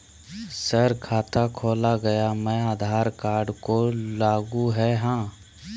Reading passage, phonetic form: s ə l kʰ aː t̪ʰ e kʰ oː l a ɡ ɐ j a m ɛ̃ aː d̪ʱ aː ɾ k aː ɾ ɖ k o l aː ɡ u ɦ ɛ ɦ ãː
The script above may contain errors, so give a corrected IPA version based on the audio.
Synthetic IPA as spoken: s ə ɾ kʰ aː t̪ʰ a kʰ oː l a ɡ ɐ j a m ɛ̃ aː d̪ʱ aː ɾ k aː ɾ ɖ k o l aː ɡ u ɦ ɛ ɦ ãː

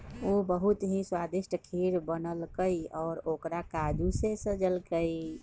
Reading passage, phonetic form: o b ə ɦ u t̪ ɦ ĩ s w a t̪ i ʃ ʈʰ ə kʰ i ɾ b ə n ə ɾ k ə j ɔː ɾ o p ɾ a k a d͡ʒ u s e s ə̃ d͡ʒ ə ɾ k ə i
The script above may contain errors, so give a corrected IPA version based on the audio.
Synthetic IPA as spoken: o b ə ɦ u t̪ ɦ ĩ s w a d̪ i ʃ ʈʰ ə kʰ i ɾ b ə n ə l k ə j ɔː ɾ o k ɾ a k a d͡ʒ u s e s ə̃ d͡ʒ ə l k ə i

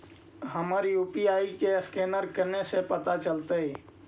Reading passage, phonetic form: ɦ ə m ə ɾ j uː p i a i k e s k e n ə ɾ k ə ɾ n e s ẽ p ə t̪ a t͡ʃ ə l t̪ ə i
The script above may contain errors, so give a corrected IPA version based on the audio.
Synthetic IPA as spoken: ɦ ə m ə ɾ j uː p i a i k e s k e n ə ɾ k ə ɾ n e s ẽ p ə t̪ a t͡ʃ ə l t̪ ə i

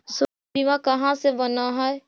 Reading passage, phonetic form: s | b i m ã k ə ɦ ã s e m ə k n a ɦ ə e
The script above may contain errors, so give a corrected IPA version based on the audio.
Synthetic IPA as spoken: s | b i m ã k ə ɦ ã s e b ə n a ɦ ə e

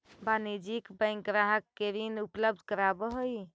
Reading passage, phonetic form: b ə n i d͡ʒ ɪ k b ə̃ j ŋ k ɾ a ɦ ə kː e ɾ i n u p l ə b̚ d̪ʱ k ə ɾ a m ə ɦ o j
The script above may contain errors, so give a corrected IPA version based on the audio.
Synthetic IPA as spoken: b a n i d͡ʒ i k b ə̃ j ŋ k ɾ a ɦ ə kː e ɾ i n u p l ə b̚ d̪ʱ k ə ɾ a b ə ɦ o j

